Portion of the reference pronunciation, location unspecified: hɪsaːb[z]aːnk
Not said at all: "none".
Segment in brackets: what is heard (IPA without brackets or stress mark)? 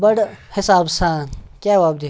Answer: s